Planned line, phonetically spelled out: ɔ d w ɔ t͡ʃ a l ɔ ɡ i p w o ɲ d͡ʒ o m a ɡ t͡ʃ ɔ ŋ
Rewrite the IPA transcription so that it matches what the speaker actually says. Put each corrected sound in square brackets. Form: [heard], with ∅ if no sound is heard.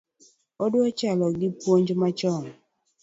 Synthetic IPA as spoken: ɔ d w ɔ t͡ʃ a l ɔ ɡ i p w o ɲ d͡ʒ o m a [∅] t͡ʃ ɔ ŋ

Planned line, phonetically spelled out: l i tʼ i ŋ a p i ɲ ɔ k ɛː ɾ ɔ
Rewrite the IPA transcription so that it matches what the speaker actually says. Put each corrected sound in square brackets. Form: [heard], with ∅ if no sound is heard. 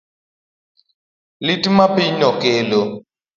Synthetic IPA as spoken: l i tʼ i [m] a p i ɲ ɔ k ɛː [l] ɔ

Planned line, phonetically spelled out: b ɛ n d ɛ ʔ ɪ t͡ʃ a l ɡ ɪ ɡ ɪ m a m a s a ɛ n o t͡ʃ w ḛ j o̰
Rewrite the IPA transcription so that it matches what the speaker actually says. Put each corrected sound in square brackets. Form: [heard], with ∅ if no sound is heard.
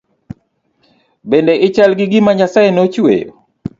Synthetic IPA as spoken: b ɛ n d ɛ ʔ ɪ t͡ʃ a l ɡ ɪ ɡ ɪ m a [ɲ] a s a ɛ n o t͡ʃ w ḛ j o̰

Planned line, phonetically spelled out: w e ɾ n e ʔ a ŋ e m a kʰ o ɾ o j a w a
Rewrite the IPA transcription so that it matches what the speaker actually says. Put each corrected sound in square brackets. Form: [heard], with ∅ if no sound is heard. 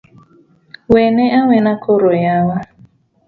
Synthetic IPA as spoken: w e [∅] n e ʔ a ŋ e [n] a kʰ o ɾ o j a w a

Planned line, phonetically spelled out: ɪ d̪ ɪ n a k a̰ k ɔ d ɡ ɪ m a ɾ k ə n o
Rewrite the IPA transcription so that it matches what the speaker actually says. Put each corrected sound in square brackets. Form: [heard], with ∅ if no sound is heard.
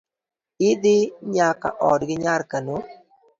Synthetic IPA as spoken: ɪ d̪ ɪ [ɲ] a k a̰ [ʔ] ɔ d ɡ ɪ [ɲ] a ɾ k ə n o

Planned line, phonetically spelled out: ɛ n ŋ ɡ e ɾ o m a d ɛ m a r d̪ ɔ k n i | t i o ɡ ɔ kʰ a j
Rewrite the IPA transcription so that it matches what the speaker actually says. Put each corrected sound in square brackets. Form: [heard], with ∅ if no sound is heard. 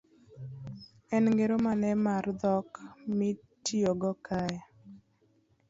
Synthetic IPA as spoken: ɛ n ŋ ɡ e ɾ o m a [n] ɛ m a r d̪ ɔ k [m] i | t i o ɡ ɔ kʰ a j

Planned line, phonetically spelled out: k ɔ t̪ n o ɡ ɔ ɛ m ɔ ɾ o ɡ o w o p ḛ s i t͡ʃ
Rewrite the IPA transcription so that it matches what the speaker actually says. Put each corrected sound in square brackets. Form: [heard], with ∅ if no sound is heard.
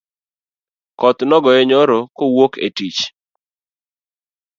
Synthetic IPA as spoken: k ɔ t̪ n [ɔ] ɡ ɔ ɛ [ɲ] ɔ ɾ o [k] o w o [k] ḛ [t] i t͡ʃ

